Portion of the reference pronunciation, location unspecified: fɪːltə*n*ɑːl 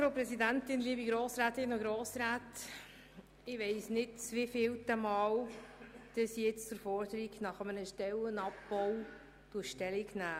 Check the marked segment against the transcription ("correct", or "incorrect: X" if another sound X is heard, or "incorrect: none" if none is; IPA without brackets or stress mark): incorrect: m